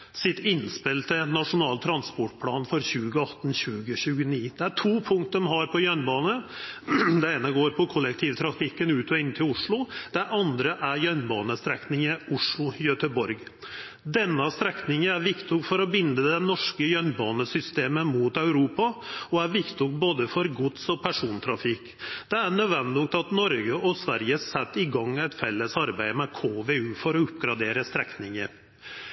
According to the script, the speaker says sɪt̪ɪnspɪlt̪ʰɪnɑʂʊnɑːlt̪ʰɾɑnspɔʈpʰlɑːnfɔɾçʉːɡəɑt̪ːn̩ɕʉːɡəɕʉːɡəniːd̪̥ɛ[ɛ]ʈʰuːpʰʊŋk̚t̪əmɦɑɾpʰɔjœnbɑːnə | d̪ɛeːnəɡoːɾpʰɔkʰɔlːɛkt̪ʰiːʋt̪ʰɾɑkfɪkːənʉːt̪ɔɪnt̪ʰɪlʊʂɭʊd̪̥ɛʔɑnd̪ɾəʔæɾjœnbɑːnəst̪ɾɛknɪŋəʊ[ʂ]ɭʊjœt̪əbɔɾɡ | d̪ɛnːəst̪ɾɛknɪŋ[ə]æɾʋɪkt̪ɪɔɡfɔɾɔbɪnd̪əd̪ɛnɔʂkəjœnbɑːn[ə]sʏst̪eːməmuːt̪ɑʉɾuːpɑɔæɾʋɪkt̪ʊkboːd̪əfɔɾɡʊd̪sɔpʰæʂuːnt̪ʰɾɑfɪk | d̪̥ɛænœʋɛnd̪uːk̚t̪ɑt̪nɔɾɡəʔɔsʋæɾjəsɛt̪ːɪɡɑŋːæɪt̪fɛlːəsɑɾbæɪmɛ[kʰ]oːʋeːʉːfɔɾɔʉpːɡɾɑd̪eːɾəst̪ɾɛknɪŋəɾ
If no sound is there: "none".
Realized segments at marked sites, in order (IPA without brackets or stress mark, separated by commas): æ, ʂ, ə, ə, kʰ